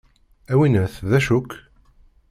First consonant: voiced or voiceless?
voiced